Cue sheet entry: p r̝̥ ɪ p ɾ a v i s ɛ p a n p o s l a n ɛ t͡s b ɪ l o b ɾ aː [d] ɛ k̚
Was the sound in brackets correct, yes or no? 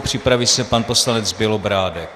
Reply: yes